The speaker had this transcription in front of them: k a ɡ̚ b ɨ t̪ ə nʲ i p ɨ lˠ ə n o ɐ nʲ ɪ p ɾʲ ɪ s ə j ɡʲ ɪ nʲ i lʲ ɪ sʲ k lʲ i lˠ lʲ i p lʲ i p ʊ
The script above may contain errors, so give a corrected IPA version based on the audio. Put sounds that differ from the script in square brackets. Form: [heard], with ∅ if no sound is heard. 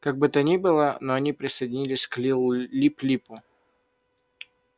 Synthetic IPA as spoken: k a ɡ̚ b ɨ t̪ ə nʲ i [b] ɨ lˠ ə n o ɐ nʲ [i] p ɾʲ ɪ s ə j [dʲ] ɪ nʲ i lʲ ɪ sʲ k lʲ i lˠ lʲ i p lʲ i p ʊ